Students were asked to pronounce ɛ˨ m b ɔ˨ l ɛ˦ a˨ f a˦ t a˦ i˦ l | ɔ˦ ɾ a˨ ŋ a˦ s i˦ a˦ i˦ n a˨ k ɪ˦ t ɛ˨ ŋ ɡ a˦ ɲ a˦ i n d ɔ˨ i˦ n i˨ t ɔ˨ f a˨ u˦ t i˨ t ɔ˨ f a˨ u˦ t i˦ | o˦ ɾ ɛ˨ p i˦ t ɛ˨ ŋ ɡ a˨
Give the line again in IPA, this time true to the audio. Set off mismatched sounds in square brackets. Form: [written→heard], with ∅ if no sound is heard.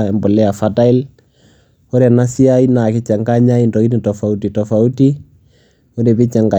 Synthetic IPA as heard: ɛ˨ m b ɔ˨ l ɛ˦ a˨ f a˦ t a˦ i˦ l | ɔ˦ ɾ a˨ [ŋ→n] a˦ s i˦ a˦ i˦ n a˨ k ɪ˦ [t→t͡ʃ] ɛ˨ ŋ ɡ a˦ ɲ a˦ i n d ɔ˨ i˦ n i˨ t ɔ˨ f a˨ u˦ t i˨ t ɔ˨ f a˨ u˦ t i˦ | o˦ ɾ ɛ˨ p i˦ [t→t͡ʃ] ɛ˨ ŋ ɡ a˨

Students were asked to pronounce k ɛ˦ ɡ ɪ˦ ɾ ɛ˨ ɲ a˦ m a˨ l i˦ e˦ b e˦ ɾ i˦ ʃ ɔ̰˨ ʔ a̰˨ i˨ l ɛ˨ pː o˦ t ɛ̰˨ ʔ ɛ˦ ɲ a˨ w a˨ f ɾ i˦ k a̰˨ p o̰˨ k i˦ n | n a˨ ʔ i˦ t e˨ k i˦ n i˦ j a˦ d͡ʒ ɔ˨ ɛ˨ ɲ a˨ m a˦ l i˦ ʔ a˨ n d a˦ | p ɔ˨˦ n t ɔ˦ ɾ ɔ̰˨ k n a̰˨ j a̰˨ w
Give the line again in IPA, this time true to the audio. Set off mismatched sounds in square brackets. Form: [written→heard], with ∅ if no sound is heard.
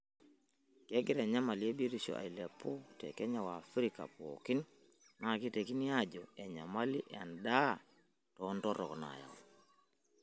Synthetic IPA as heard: k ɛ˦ ɡ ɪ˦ ɾ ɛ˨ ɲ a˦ m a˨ l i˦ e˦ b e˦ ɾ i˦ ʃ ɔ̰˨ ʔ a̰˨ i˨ l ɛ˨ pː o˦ t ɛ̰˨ [ʔ→k] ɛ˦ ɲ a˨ w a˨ f ɾ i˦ k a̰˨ p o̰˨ k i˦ n | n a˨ [ʔ→k] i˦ t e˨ k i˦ n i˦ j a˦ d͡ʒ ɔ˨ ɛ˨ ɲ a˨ m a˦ l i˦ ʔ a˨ n d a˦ | [p→t] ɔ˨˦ n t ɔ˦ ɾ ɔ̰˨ k n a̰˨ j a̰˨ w

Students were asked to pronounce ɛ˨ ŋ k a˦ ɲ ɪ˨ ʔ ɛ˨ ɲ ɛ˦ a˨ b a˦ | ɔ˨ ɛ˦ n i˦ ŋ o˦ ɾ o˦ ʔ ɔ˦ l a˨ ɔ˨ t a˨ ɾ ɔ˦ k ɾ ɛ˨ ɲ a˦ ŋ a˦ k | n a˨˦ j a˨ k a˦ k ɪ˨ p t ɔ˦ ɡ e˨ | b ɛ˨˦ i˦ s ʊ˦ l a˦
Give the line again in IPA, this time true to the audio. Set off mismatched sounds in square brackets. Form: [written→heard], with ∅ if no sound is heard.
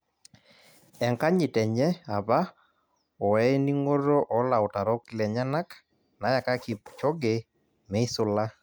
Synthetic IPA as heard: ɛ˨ ŋ k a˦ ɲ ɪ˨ [ʔ→t] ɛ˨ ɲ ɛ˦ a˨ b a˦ | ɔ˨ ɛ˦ n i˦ ŋ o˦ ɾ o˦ ʔ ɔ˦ l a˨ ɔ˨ t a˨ ɾ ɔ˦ k [ɾ→l] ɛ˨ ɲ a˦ [ŋ→n] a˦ k | n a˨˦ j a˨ k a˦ k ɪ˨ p [t→t͡ʃ] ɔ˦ ɡ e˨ | [b→m] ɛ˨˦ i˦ s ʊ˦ l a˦

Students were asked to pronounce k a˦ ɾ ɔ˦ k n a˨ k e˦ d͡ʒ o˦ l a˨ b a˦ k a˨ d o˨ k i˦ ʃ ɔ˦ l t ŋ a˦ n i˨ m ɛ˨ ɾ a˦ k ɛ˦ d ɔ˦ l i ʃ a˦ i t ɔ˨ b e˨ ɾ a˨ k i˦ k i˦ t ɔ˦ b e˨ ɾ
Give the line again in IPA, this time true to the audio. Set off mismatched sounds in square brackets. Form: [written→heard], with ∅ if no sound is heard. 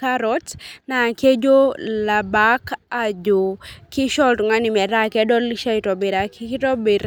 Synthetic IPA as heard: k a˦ ɾ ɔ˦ [k→t] n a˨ k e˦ d͡ʒ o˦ l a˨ b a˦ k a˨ [d→d͡ʒ] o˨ k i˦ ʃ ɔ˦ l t ŋ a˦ n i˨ m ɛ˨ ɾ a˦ k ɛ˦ d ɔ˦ l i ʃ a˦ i t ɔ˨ b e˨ ɾ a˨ k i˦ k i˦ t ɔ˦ b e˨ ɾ

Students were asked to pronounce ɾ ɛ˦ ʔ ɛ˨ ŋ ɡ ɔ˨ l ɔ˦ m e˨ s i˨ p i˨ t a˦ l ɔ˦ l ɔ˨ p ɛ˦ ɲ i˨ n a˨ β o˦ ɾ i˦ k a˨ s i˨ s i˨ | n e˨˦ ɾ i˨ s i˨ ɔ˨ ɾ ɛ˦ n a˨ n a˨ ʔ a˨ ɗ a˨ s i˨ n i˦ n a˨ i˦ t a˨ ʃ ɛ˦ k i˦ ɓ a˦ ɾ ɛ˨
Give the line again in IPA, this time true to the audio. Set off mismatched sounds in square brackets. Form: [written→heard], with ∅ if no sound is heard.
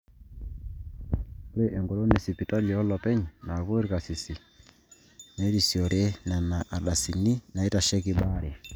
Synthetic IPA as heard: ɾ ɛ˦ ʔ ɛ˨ ŋ ɡ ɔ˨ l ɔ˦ [m→n] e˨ s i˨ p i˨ t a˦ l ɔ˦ l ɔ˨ p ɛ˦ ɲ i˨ n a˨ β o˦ ɾ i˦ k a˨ s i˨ s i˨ | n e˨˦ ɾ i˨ s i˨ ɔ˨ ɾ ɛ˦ n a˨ n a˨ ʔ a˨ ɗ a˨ s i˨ n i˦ n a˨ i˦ t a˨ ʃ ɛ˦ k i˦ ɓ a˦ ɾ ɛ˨

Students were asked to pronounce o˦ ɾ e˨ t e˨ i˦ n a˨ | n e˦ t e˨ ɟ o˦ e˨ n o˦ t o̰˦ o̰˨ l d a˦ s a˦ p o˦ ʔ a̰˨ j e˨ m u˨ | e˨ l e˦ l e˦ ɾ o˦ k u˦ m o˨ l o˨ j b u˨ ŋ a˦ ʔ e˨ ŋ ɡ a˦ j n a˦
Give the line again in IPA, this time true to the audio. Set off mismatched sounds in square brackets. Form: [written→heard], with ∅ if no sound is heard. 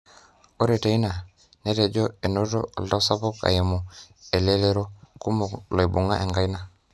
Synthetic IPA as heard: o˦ ɾ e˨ t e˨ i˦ n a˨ | n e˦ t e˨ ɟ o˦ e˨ n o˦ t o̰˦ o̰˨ l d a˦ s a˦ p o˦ [ʔ→k] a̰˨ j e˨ m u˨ | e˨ l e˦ l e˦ ɾ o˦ k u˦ m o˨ l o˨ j b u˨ ŋ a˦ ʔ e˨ ŋ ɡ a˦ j n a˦

